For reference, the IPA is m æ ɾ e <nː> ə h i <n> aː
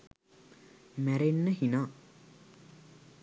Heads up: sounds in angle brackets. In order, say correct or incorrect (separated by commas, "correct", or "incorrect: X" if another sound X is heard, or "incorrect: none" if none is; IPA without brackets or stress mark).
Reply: correct, correct